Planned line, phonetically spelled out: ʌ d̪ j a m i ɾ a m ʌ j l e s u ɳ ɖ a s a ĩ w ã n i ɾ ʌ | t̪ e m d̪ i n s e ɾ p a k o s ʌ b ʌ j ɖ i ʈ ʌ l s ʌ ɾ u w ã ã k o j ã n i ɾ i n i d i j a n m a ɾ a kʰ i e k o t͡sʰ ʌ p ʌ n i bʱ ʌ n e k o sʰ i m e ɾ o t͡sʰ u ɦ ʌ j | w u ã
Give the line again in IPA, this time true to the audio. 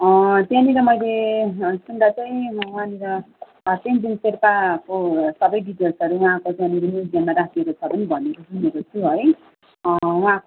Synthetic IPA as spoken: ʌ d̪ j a n i ɾ ʌ m ʌ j l e s u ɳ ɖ a t͡s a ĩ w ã n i ɾ ʌ | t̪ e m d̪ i n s e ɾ p a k o s ʌ b ʌ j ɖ i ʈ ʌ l s ʌ ɾ u w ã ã k o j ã n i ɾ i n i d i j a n m a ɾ a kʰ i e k o t͡sʰ ʌ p ʌ n i bʱ ʌ n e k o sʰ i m e ɾ o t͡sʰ u ɦ ʌ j | w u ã